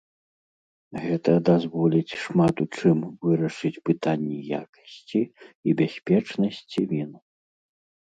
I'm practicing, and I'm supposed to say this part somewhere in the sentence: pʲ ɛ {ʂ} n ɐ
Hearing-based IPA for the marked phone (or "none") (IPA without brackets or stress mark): t͡ʂ